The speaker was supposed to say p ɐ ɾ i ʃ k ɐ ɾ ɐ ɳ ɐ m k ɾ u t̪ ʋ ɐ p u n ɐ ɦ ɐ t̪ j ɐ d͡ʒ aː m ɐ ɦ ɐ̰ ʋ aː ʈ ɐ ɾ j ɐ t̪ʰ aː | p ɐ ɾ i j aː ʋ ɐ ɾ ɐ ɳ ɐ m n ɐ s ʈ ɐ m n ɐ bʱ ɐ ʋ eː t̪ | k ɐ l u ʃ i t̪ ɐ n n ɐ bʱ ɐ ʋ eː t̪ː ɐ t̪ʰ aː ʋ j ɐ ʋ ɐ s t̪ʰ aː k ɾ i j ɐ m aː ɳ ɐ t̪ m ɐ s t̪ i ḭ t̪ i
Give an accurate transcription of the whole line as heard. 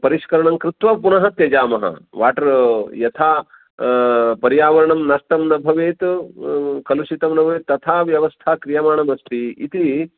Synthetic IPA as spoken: p ɐ ɾ i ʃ k ɐ ɾ ɐ ɳ ɐ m k ɾ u t̪ ʋ ɐ p u n ɐ ɦ ɐ t̪ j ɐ d͡ʒ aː m ɐ ɦ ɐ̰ ʋ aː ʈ ɐ ɾ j ɐ t̪ʰ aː | p ɐ ɾ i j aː ʋ ɐ ɾ ɐ ɳ ɐ m n ɐ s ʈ ɐ m n ɐ bʱ ɐ ʋ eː t̪ | k ɐ l u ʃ i t̪ ɐ m n ɐ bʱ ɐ ʋ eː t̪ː ɐ t̪ʰ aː ʋ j ɐ ʋ ɐ s t̪ʰ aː k ɾ i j ɐ m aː ɳ ɐ m ɐ s t̪ i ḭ t̪ i